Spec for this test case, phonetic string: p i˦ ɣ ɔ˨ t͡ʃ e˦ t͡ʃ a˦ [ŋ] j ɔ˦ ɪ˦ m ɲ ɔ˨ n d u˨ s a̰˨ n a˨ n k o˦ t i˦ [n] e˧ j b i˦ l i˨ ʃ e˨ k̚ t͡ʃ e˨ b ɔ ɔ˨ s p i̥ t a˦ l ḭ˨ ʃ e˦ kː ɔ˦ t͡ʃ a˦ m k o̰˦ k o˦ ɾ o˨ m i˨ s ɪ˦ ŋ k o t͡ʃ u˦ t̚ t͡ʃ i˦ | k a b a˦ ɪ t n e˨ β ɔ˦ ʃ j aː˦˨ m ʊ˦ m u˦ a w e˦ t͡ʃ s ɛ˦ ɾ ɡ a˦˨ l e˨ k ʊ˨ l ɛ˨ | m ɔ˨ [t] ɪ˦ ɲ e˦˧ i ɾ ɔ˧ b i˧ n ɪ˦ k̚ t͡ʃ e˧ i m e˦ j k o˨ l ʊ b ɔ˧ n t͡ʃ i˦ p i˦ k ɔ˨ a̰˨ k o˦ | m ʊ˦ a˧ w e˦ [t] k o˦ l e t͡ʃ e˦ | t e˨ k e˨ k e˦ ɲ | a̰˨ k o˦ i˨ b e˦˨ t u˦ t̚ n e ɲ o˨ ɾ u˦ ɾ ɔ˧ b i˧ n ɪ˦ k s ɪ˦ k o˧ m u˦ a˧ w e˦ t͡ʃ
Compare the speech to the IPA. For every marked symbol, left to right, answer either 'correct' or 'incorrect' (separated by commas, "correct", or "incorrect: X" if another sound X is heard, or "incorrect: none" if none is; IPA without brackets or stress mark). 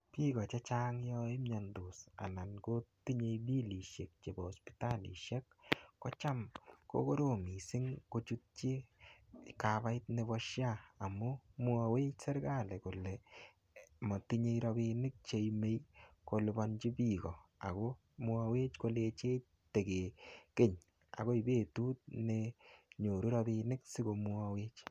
correct, incorrect: ɲ, correct, incorrect: t͡ʃ